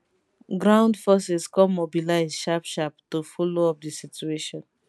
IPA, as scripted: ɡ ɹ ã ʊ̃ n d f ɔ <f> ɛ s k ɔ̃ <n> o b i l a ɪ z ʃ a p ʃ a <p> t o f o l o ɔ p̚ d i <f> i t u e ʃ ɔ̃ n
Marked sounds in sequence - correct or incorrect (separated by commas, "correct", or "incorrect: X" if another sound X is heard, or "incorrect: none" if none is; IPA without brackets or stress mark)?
incorrect: s, incorrect: m, correct, incorrect: s